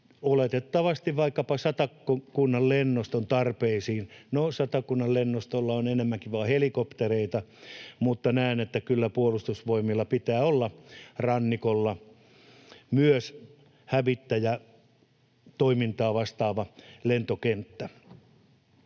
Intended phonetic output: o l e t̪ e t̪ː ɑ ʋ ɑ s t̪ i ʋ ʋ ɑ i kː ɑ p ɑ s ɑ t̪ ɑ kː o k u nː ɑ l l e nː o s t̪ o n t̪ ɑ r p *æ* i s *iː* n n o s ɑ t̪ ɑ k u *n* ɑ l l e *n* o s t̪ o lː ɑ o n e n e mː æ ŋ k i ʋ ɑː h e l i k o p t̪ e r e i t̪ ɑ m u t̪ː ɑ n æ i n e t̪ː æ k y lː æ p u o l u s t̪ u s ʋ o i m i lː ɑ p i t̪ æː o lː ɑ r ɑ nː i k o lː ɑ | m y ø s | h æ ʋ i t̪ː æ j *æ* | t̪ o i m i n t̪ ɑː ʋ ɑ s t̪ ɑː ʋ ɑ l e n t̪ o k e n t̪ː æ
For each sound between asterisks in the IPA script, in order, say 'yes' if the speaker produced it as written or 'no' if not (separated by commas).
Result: no, yes, no, no, yes